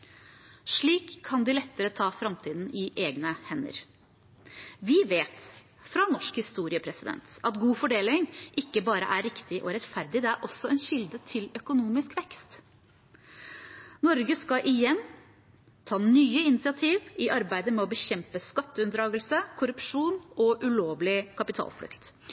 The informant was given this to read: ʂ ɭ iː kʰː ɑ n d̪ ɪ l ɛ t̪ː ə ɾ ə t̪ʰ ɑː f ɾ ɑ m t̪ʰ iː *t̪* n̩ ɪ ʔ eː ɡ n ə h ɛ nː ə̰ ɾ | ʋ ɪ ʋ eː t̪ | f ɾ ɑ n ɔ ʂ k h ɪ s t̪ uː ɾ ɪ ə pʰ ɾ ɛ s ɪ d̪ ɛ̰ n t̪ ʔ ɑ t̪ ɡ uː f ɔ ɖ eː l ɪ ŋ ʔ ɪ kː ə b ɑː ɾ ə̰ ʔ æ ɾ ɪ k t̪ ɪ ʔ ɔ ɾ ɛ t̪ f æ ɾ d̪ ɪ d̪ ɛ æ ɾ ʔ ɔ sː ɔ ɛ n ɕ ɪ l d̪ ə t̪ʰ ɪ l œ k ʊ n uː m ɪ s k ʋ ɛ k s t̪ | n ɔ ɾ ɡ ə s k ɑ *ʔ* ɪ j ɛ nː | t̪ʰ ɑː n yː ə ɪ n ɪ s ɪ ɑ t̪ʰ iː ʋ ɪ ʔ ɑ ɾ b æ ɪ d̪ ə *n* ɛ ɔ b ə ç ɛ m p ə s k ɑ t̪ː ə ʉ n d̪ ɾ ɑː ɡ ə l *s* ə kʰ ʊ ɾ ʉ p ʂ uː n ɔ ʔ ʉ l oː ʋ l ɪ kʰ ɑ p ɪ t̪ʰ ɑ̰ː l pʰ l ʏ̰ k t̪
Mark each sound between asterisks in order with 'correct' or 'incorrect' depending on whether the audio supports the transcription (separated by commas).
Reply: incorrect, correct, incorrect, correct